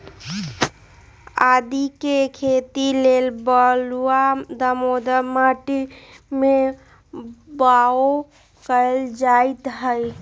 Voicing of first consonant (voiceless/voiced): voiced